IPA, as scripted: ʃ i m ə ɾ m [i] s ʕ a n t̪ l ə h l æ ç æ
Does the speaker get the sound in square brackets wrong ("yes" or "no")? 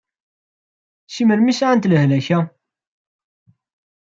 no